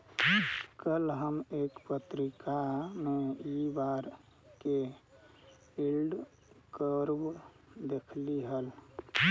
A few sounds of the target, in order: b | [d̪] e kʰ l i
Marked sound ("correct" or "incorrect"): correct